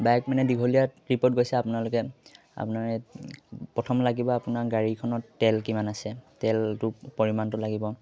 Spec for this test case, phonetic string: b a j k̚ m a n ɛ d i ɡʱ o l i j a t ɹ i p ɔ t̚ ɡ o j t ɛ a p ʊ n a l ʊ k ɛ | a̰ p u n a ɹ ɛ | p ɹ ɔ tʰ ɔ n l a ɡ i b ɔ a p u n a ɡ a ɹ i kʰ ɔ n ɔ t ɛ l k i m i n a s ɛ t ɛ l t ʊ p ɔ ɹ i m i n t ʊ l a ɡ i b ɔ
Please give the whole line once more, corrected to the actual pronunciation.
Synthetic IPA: b a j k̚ m a n ɛ d i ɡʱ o l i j a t ɹ i p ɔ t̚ ɡ o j s ɛ a p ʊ n a l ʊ k ɛ | a̰ p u n a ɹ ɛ | p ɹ ɔ tʰ ɔ m l a ɡ i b ɔ a p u n a ɡ a ɹ i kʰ ɔ n ɔ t ɛ l k i m a n a s ɛ t ɛ l t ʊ p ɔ ɹ i m a n t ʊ l a ɡ i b ɔ